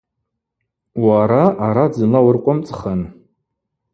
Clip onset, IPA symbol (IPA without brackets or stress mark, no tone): w